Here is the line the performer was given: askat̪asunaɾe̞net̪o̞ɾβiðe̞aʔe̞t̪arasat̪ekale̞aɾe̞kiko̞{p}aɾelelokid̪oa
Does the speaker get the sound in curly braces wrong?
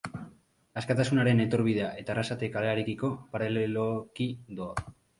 no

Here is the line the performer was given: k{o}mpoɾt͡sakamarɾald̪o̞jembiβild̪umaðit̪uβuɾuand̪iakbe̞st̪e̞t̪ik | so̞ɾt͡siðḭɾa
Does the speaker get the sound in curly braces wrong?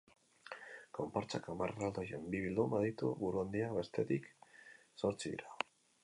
no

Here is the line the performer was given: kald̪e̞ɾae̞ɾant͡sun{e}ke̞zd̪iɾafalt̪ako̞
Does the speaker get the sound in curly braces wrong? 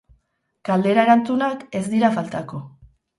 yes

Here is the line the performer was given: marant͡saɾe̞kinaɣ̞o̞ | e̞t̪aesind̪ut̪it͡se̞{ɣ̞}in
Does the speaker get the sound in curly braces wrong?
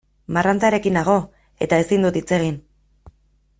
no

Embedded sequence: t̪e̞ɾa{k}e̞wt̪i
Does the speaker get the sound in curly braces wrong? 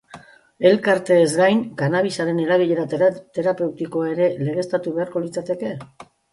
yes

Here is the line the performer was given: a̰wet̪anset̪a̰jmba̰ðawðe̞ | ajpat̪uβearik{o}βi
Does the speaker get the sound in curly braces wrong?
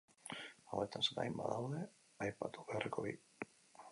no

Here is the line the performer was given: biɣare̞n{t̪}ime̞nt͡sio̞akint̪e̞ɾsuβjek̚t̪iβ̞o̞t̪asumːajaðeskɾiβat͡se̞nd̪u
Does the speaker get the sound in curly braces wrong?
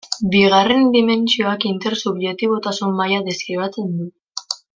yes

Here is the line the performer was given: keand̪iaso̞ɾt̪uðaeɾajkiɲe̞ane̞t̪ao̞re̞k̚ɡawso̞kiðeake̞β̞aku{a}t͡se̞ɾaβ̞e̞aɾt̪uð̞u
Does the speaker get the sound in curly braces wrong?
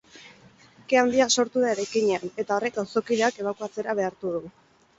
no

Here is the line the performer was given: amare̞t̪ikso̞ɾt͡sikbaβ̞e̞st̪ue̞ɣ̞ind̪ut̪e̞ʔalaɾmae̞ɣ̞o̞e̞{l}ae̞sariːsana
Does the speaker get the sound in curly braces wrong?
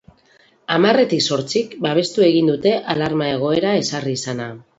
yes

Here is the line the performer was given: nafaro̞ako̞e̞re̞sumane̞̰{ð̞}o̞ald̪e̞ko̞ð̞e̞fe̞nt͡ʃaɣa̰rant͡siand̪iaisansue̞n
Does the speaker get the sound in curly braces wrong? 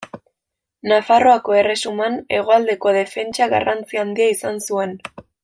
yes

